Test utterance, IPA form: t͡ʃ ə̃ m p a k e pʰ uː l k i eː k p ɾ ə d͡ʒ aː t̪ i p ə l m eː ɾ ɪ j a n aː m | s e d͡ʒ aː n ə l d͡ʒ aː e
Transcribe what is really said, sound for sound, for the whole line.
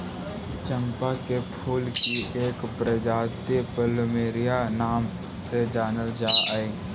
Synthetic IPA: t͡ʃ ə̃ m p a k e pʰ uː l k i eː k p ɾ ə d͡ʒ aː t̪ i p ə l m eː ɾ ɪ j a n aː m | s e d͡ʒ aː n ə l d͡ʒ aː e

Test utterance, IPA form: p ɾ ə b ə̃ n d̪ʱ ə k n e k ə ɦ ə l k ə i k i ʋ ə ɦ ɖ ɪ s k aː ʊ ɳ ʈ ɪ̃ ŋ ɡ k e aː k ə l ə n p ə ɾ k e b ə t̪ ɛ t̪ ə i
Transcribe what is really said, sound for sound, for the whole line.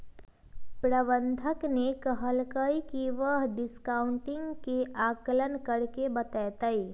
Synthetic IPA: p ɾ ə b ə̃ n d̪ʱ ə k n e k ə ɦ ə l k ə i k i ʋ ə ɦ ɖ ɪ s k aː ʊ ɳ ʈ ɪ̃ ŋ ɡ k e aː k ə l ə n k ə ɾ k e b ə t̪ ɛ t̪ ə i

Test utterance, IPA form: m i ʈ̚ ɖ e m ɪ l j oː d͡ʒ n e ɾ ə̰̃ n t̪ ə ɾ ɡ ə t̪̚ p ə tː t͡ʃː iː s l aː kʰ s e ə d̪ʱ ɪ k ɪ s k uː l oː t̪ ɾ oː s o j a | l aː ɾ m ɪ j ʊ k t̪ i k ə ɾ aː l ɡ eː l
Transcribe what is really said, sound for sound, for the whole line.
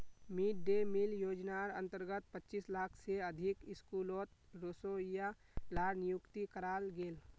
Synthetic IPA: m i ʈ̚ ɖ e m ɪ l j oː d͡ʒ n a ɾ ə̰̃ n t̪ ə ɾ ɡ ə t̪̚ p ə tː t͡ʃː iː s l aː kʰ s e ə d̪ʱ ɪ k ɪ s k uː l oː t̪ ɾ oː s o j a | l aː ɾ n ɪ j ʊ k t̪ i k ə ɾ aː l ɡ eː l

